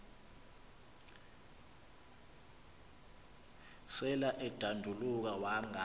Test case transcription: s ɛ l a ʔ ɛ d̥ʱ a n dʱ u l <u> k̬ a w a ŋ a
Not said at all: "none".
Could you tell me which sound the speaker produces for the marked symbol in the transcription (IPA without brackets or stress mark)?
u